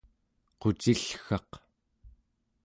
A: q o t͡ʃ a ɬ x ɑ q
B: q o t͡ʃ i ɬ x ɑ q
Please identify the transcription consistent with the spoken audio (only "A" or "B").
B